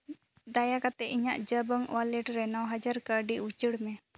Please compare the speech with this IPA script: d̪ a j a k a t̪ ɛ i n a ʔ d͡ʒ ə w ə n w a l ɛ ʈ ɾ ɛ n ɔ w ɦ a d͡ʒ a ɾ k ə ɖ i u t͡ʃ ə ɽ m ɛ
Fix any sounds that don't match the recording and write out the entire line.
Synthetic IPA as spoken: d̪ a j a k a t̪ ɛ i ɲ a ʔ d͡ʒ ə b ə ŋ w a l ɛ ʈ ɾ ɛ n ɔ w ɦ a d͡ʒ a ɾ k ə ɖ i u t͡ʃ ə ɽ m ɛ